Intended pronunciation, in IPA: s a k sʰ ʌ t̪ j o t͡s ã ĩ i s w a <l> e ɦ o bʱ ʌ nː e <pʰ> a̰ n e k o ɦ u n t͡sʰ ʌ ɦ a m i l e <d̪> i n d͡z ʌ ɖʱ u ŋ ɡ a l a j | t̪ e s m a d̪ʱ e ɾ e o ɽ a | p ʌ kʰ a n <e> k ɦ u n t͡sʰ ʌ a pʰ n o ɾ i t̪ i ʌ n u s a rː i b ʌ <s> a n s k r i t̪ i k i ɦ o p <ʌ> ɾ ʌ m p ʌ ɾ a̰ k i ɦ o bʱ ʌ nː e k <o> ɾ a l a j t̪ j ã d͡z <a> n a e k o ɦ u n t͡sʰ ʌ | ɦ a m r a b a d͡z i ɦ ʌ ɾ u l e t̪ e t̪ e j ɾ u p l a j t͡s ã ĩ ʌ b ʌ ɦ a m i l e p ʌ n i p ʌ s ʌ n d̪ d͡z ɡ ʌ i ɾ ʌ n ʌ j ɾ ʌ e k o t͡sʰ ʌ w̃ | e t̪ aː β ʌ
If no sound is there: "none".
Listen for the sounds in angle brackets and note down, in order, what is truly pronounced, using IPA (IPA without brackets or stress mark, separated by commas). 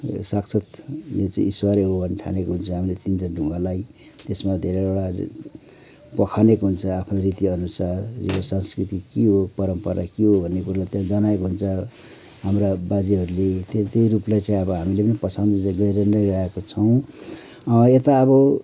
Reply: ɾ, ʈʰ, t̪, e, s, ʌ, u, ʌ